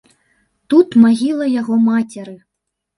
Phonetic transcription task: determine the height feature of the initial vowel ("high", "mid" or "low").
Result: high